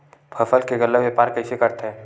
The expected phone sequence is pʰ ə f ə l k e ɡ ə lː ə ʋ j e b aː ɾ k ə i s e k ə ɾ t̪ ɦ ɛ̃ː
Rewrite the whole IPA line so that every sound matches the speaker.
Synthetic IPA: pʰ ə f ə l k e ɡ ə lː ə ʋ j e p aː ɾ k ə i s e k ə ɾ t̪ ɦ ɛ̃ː